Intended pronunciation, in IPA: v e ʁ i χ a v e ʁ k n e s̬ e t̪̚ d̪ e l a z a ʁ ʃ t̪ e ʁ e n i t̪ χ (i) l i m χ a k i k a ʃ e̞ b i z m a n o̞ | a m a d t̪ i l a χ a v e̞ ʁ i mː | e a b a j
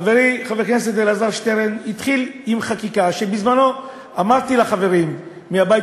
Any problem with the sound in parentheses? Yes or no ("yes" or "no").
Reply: no